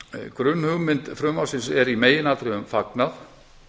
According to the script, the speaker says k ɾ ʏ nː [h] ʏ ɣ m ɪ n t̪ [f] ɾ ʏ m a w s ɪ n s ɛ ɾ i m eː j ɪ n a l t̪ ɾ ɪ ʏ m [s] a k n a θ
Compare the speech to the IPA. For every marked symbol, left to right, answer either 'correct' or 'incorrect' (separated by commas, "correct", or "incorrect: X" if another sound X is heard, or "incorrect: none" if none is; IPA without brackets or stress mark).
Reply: correct, correct, incorrect: f